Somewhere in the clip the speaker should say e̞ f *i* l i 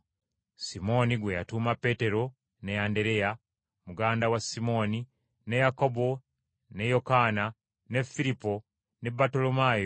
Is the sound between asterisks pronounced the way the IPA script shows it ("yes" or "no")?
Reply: yes